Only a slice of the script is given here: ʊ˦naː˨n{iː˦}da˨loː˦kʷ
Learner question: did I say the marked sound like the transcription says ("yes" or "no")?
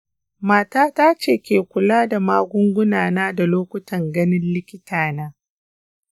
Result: no